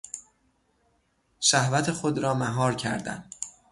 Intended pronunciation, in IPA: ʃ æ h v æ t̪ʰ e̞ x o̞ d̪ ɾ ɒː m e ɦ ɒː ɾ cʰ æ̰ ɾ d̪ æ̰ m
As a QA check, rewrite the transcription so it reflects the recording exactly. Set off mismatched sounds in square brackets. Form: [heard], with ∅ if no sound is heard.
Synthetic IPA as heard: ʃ æ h v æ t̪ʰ e̞ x o̞ d̪ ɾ ɒː m [æ] ɦ ɒː ɾ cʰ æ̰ ɾ d̪ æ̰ [n]